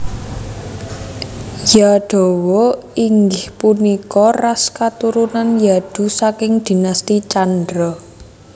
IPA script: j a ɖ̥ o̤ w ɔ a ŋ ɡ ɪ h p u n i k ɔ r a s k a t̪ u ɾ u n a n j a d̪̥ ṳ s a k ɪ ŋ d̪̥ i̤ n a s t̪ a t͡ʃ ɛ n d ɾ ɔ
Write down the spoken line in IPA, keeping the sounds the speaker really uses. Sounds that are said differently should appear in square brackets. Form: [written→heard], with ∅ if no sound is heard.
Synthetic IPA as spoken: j a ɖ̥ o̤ w ɔ [a→i] ŋ ɡ ɪ h p u n i k ɔ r a s k a t̪ u ɾ u n a n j a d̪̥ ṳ s a k ɪ ŋ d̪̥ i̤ n a s t̪ [a→i] t͡ʃ [ɛ→a] n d ɾ ɔ